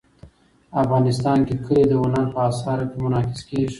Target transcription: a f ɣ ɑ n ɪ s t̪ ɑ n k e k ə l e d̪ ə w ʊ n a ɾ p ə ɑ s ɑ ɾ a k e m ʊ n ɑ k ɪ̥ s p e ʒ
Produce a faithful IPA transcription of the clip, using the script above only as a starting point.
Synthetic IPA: a f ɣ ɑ n ɪ s t̪ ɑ n k e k ə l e d̪ ə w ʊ n a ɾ p ə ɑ s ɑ ɾ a k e m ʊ n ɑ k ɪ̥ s k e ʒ